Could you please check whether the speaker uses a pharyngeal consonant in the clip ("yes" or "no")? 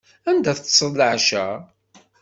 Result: yes